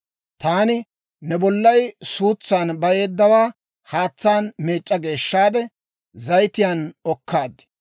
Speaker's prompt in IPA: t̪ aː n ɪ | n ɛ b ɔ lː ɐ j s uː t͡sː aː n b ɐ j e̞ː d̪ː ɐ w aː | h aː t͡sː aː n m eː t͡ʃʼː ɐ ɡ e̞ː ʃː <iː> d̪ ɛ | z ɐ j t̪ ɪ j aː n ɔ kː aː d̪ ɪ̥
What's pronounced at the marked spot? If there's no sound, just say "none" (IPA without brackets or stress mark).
aː